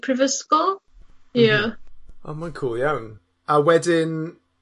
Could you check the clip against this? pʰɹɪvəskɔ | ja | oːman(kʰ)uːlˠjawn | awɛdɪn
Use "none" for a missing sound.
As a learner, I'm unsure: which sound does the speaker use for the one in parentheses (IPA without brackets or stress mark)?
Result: kʰ